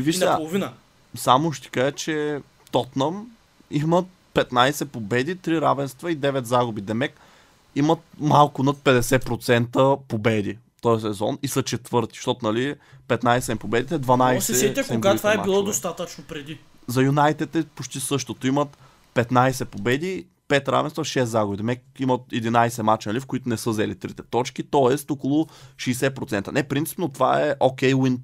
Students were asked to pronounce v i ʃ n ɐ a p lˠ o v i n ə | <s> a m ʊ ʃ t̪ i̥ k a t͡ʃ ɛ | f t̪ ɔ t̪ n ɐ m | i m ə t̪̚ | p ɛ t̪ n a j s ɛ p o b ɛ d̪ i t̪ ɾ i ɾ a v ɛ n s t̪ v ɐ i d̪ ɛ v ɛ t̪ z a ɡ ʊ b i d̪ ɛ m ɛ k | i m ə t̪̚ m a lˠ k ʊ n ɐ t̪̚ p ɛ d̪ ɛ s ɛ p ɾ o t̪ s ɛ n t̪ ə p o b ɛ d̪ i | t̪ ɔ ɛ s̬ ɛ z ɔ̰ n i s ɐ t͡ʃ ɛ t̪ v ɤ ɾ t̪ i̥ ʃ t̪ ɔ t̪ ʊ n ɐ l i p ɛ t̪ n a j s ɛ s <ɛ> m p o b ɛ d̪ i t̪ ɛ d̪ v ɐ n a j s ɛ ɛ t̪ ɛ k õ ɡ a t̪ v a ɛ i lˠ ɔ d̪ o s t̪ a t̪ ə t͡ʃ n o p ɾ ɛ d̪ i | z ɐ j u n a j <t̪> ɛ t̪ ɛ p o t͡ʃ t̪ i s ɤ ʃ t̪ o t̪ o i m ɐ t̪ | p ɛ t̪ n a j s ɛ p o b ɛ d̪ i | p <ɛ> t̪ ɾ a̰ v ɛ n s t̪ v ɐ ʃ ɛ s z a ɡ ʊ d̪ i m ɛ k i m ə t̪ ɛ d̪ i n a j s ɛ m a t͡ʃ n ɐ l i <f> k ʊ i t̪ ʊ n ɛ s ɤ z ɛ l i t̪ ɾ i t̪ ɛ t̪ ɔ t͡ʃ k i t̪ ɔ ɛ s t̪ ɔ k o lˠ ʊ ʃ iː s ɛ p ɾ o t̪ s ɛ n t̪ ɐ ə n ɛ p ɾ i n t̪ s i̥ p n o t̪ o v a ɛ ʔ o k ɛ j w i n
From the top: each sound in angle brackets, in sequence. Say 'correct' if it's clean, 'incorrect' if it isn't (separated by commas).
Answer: correct, correct, correct, correct, correct